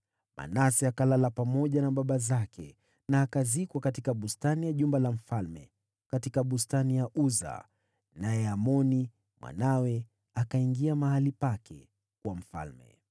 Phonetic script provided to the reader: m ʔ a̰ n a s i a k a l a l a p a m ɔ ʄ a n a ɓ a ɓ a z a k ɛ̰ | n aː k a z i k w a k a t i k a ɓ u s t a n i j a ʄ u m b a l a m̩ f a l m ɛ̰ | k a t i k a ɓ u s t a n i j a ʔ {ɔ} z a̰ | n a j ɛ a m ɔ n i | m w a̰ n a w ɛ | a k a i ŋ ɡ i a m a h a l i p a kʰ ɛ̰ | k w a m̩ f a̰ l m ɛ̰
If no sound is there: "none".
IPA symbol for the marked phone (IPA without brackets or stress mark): u